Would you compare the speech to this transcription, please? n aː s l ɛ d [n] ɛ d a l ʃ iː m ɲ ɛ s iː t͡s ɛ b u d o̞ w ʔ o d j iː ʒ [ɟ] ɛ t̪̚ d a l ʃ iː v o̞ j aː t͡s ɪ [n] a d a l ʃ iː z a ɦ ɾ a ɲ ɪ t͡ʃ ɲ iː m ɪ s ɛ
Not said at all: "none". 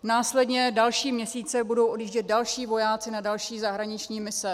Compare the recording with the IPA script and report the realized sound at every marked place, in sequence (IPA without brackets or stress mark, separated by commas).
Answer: ɲ, ɟ, n